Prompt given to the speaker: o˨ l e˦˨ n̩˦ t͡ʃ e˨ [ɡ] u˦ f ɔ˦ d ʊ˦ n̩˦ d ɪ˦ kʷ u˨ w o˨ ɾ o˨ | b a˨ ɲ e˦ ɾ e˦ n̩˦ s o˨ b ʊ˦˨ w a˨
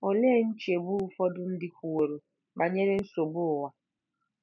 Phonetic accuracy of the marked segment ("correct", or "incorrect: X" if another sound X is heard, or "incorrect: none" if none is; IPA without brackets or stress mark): incorrect: b